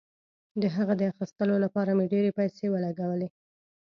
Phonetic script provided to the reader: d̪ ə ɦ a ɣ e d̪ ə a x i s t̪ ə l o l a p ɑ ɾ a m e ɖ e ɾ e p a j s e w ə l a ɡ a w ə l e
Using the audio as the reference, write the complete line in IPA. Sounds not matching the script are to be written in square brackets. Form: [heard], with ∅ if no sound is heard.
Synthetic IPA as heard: d̪ ə ɦ a ɣ [a] d̪ ə a x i s t̪ ə l o l a p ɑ ɾ a m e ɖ e ɾ e p a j s e w ə l a ɡ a w ə l e